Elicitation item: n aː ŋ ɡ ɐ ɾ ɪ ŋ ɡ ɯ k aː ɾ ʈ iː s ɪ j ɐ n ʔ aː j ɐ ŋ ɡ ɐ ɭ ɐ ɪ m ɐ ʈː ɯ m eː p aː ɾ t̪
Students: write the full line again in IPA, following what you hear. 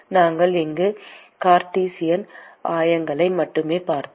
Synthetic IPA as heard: n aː ŋ ɡ ɐ ɭ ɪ ŋ ɡ ɯ k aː ɾ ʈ iː s ɪ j ɐ n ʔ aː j ɐ ŋ ɡ ɐ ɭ ɐ ɪ m ɐ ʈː ɯ m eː p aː ɾ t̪